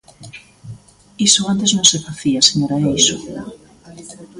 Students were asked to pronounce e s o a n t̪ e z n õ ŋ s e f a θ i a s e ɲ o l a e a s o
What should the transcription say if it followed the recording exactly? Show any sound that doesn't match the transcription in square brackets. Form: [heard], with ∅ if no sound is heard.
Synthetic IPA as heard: [i] s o a n t̪ e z n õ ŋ s e f a θ i a s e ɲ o [ɾ] a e [i] s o